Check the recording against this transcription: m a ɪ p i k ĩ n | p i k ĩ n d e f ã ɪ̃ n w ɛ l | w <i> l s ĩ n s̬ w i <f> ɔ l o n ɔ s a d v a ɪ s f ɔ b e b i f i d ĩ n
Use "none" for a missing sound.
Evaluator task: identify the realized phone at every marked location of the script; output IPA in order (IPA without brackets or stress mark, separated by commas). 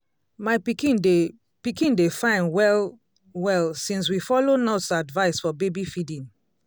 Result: ɛ, f